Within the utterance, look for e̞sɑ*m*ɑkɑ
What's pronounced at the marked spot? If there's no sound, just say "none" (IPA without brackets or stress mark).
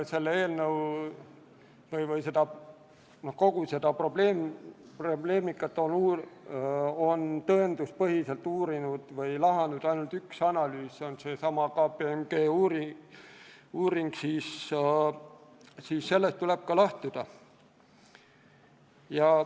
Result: m